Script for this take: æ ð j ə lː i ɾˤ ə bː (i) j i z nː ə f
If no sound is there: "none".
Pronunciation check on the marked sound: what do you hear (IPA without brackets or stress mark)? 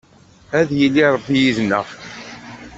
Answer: i